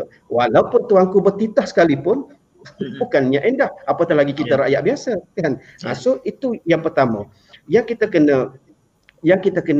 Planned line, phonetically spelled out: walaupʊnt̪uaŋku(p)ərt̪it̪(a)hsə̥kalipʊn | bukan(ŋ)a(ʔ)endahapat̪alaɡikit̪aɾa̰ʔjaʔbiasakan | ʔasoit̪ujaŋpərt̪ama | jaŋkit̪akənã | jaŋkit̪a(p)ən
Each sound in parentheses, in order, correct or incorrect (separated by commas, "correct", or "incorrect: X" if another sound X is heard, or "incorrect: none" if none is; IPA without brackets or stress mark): incorrect: b, correct, incorrect: ɲ, correct, incorrect: k